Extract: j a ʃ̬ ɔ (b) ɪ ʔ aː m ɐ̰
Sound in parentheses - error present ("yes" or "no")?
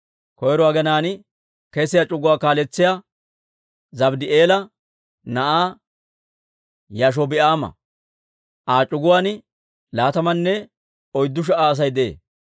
no